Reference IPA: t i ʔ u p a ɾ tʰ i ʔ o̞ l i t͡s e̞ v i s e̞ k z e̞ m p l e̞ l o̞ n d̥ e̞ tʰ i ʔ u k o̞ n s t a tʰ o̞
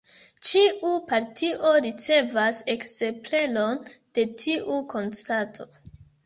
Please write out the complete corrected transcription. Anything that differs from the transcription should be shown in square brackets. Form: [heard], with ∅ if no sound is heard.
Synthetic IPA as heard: [t͡ʃ] i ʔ u p a ɾ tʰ i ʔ o̞ [ɾ] i t͡s e̞ v [a] s e̞ k z e̞ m p l e̞ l o̞ n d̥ e̞ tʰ i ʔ u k o̞ n s t a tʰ o̞